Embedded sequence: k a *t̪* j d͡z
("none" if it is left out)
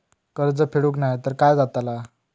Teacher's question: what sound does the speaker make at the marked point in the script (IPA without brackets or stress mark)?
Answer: none